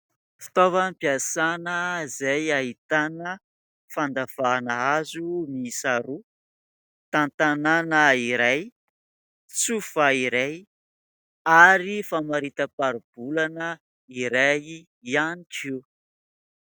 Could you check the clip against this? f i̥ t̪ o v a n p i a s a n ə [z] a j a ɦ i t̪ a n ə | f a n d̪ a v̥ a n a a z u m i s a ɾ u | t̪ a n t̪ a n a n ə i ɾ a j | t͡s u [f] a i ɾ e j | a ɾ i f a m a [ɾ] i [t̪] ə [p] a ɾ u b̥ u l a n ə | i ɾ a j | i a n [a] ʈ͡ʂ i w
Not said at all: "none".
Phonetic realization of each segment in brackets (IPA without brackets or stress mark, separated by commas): z, f, ɾ, t̪, p, i